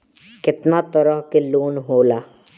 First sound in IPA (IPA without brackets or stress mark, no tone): k